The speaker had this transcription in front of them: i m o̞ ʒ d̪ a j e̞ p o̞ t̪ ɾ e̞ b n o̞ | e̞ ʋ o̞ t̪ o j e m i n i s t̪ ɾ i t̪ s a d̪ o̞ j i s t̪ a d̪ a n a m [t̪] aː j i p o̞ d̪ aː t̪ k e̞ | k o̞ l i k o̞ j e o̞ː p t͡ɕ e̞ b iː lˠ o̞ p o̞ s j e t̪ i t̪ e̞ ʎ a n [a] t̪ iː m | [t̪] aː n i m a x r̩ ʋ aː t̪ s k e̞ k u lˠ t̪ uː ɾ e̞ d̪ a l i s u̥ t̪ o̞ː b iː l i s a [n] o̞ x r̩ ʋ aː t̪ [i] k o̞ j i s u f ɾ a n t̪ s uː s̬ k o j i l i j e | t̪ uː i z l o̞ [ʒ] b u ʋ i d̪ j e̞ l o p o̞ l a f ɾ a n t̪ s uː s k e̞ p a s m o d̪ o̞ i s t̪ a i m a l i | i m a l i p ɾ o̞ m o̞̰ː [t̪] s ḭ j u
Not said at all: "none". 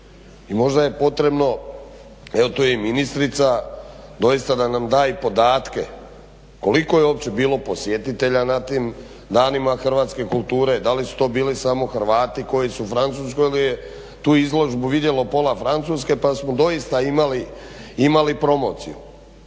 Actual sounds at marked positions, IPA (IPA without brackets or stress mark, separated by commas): d̪, a, d̪, m, i, ʒ, t̪